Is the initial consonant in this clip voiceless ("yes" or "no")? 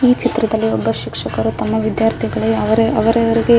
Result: yes